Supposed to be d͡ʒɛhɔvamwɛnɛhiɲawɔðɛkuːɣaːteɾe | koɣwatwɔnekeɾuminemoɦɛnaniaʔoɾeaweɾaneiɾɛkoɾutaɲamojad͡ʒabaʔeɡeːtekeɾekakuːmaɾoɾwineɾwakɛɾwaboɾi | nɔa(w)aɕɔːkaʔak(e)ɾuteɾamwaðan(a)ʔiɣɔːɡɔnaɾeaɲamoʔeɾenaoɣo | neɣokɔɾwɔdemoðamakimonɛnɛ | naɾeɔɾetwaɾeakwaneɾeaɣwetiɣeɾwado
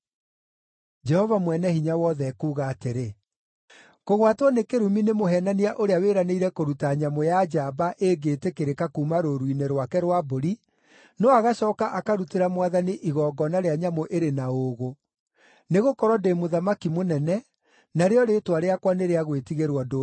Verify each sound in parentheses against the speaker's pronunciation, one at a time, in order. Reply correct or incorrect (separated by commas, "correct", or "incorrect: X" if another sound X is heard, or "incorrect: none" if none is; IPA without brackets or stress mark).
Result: incorrect: ɣ, incorrect: a, incorrect: i